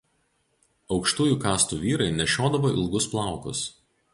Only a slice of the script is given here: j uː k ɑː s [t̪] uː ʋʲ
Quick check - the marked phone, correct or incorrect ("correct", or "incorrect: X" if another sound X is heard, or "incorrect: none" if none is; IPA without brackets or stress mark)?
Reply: correct